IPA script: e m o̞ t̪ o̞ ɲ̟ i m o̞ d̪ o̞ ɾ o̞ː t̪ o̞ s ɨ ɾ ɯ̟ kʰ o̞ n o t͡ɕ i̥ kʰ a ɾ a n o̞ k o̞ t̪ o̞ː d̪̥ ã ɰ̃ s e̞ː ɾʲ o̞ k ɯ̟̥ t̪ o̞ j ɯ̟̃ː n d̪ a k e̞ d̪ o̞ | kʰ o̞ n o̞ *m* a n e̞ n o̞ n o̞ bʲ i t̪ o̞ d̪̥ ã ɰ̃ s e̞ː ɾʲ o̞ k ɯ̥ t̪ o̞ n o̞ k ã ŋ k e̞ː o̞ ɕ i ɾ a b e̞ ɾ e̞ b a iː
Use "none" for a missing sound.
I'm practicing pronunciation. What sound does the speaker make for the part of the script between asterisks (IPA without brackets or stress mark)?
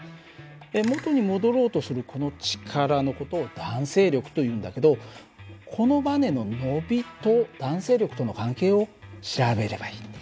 b